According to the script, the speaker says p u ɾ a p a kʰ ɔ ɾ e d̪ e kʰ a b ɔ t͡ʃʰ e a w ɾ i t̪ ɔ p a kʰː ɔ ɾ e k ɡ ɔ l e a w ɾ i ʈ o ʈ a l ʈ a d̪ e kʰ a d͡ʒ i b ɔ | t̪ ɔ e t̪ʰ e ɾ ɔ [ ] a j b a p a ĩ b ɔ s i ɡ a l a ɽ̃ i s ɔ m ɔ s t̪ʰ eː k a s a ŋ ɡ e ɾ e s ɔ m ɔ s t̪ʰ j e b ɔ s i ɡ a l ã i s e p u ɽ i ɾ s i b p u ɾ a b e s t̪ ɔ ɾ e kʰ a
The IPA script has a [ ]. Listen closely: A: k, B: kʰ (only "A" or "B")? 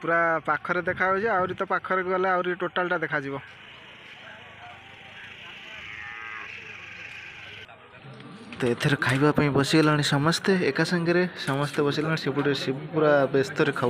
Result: B